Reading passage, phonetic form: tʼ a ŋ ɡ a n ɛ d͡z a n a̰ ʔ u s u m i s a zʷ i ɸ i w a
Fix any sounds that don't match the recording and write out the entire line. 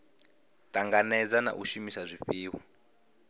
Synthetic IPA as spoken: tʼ a ŋ ɡ a n ɛ d͡z a n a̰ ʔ u ʃ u m i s a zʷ i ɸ iː w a